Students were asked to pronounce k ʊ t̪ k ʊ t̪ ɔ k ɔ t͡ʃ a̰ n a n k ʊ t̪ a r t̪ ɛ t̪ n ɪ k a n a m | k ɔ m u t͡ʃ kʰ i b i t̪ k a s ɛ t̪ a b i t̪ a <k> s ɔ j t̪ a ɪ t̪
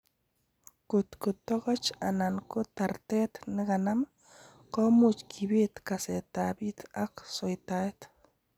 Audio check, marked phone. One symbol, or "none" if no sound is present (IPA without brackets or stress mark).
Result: k